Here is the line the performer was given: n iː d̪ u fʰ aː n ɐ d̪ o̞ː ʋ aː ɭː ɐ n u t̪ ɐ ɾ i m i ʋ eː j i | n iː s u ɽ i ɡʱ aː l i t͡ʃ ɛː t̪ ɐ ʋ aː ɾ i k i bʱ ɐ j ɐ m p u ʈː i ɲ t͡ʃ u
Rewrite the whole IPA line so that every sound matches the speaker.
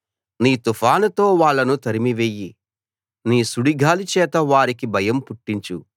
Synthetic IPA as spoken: n iː t̪ u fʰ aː n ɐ t̪ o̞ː ʋ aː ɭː ɐ n u t̪ ɐ ɾ i m i ʋ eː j i | n iː s u ɽ i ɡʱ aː l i t͡ʃ ɛː t̪ ɐ ʋ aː ɾ i k i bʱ ɐ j ɐ m p u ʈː i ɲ t͡ʃ u